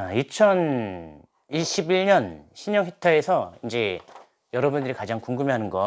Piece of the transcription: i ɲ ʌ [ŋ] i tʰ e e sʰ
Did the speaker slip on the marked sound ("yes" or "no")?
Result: no